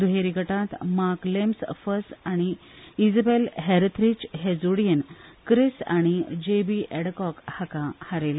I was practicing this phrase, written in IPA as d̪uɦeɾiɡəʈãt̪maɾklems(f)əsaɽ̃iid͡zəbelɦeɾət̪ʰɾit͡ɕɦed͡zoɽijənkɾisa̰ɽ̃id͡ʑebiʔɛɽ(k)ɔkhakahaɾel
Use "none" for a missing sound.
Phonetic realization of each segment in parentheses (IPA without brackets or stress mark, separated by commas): f, k